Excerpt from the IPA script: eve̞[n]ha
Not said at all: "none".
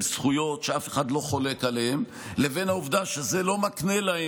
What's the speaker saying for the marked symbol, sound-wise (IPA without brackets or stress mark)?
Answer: n